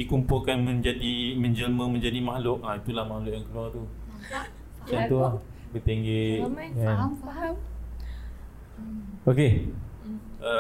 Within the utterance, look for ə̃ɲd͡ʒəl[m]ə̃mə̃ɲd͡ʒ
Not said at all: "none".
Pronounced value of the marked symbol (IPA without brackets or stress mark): m